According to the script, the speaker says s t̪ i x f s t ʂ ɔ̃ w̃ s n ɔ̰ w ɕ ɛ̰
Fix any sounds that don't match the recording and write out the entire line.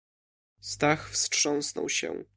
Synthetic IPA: s t̪ a x f s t ʂ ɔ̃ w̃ s n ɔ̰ w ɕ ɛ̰